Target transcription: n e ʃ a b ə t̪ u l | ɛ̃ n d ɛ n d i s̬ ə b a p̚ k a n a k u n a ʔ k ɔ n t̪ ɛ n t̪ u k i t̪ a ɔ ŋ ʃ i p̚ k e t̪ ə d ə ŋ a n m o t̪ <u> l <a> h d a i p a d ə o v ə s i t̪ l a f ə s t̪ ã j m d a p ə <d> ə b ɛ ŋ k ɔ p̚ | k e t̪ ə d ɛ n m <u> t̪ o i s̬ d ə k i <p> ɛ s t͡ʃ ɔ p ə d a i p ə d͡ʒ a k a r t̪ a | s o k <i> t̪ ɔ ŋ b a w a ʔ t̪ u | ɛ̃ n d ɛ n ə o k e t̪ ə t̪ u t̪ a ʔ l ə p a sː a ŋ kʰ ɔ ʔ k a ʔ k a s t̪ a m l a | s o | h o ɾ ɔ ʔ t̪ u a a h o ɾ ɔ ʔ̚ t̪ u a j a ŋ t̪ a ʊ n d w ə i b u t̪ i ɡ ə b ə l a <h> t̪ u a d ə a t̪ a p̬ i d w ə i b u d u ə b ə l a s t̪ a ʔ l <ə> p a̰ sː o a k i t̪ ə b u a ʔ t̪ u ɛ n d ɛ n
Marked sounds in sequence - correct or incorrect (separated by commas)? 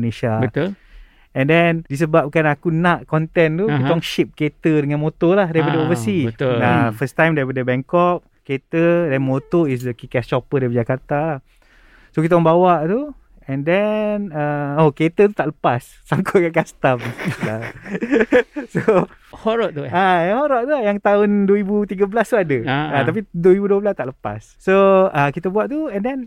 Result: incorrect, correct, correct, incorrect, incorrect, correct, incorrect, correct